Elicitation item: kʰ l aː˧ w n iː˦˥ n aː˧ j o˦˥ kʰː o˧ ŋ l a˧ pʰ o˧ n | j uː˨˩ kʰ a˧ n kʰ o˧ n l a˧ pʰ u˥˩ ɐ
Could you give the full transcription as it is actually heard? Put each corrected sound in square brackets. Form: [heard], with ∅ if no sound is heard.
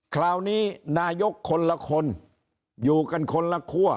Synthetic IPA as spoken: kʰ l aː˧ w n iː˦˥ n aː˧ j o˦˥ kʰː o˧ [n] l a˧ [kʰ] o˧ n | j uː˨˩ [k] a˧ n kʰ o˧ n l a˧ [kʰ] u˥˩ ɐ